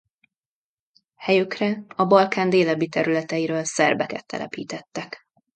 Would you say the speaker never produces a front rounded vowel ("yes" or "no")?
no